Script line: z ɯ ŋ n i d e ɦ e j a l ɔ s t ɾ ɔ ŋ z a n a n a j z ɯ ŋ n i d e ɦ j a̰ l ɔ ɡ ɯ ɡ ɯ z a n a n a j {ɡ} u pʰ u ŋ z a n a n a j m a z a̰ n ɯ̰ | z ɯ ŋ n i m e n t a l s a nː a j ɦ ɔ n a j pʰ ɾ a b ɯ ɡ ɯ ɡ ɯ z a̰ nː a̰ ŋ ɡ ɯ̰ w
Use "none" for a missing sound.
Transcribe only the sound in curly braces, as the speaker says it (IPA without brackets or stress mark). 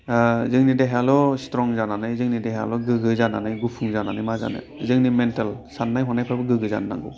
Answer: ɡ